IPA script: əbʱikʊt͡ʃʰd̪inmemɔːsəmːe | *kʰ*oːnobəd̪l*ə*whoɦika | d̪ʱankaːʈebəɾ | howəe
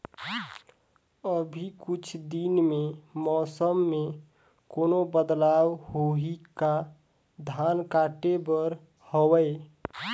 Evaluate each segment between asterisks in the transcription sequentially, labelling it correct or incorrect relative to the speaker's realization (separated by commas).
incorrect, incorrect